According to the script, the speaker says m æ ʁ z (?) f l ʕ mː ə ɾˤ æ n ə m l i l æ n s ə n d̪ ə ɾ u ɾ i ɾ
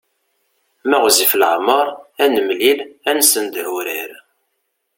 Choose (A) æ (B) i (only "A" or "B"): B